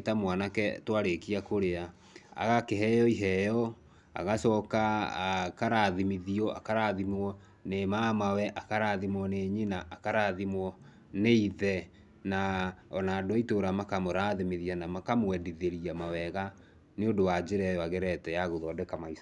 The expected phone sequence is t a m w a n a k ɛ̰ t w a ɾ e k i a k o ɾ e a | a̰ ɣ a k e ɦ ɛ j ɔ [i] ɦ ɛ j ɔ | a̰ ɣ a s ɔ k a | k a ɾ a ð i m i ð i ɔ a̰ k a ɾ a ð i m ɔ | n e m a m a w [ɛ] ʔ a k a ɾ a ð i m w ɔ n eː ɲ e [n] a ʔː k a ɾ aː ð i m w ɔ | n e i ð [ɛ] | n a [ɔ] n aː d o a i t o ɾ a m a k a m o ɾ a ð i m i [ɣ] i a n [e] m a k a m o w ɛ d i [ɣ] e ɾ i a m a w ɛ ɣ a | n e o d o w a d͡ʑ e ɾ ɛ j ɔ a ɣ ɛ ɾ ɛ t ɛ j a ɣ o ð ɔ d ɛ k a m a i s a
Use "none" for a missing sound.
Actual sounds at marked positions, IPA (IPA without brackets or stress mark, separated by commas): i, ɛ, n, ɛ, ɔ, ð, a, ð